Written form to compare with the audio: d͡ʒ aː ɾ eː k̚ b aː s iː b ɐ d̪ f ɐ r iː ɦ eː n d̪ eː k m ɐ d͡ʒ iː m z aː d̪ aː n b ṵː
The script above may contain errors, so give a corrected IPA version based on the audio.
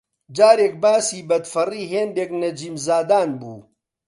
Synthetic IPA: d͡ʒ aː ɾ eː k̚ b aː s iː b ɐ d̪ f ɐ r iː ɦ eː n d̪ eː k n ɐ d͡ʒ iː m z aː d̪ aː n b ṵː